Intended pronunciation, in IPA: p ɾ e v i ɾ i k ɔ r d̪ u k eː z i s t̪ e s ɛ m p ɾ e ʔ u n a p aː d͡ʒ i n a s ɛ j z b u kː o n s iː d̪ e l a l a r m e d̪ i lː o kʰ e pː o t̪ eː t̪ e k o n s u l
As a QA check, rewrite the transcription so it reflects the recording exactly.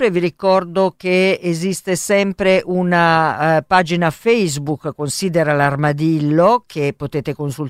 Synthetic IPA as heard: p ɾ e v i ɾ i k ɔ r d̪ o k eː z i s t̪ e s ɛ m p ɾ e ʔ u n a p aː d͡ʒ i n a f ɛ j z b u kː o n s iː d̪ e ɾ a l a r m a d̪ i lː o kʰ e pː o t̪ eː t̪ e k o n s u l